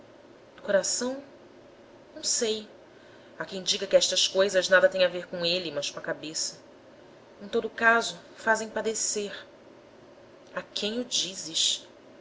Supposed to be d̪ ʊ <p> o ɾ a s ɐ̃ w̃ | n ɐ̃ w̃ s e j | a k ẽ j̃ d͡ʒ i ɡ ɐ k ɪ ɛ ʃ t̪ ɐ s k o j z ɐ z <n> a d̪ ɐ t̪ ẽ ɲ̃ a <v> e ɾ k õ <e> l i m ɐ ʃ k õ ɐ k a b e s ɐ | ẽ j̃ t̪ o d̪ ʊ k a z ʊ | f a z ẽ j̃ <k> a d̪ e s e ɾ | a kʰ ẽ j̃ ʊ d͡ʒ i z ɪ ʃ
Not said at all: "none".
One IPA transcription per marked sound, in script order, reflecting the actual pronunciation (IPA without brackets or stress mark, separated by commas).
k, n, v, e, p